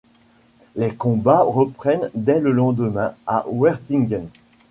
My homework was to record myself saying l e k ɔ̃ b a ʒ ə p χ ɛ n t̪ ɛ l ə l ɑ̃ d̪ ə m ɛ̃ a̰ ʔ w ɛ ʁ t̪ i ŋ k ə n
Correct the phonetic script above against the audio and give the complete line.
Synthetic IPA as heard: l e k ɔ̃ b a ʁ ə p χ ɛ n d̪ ɛ l ə l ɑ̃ d̪ ə m ɛ̃ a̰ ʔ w ɛ ʁ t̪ i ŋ ɡ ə n